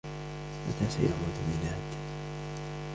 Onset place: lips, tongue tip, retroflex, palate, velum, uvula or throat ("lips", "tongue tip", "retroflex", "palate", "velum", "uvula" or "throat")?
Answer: lips